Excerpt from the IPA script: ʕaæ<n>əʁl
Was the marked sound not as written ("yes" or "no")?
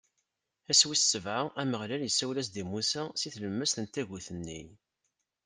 yes